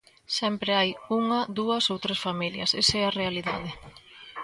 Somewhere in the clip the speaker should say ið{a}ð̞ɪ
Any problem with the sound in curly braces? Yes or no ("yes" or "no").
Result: no